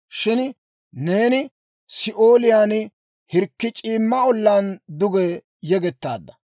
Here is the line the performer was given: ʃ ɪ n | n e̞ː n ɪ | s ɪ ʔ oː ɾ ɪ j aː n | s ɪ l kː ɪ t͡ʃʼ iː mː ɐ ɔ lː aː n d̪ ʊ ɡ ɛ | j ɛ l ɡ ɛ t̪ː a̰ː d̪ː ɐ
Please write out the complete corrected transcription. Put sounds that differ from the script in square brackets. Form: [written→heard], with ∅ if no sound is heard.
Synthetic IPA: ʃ ɪ n | n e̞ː n ɪ | s ɪ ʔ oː [ɾ→l] ɪ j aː n | [s→h] ɪ [l→ɾ] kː ɪ t͡ʃʼ iː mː ɐ ɔ lː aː n d̪ ʊ ɡ ɛ | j ɛ [l→∅] ɡ ɛ t̪ː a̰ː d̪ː ɐ